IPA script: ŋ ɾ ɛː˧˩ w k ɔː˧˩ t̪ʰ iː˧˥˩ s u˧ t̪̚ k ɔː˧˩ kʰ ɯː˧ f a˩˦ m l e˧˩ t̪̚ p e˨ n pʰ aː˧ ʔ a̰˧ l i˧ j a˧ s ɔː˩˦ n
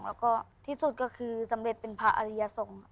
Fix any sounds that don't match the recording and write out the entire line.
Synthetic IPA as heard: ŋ l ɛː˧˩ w k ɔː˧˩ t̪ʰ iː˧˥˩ s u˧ t̪̚ k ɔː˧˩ kʰ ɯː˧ s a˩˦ m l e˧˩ t̪̚ p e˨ n pʰ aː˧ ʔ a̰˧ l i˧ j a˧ s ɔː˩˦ ŋ